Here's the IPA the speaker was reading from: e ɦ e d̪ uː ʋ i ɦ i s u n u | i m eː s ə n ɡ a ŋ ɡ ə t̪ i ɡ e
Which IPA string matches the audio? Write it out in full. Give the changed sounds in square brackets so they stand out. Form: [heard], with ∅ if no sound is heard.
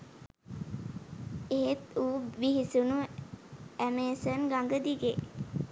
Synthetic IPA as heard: e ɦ e [t̪] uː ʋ i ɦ i s u n u | [æ] m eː s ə n ɡ a ŋ ɡ ə [d̪] i ɡ e